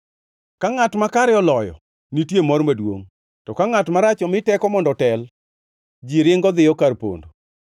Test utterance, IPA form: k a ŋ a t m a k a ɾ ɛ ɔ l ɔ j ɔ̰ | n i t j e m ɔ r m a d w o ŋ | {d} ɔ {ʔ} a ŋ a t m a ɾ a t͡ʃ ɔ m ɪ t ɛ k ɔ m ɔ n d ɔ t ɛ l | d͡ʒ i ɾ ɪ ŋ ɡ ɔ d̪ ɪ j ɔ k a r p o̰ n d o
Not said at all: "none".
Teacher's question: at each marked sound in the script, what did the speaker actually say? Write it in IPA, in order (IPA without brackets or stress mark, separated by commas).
t, k